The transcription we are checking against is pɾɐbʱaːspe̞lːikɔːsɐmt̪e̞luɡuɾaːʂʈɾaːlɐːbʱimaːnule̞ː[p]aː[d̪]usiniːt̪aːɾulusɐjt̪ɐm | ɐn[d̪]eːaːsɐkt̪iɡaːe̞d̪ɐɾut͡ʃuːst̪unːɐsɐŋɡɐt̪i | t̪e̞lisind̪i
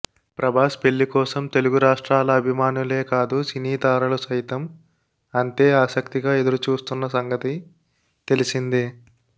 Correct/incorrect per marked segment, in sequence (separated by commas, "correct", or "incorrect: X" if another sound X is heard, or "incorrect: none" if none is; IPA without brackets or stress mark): incorrect: k, correct, incorrect: t̪